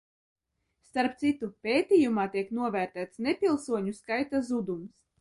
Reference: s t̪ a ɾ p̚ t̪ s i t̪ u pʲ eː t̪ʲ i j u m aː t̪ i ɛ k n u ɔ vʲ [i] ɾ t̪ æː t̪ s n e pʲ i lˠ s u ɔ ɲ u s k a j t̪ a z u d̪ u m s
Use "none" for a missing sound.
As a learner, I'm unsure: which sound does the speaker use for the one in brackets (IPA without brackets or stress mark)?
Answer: æ